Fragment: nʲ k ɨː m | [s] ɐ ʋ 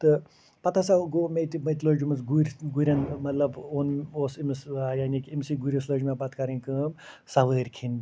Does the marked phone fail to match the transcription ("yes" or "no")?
no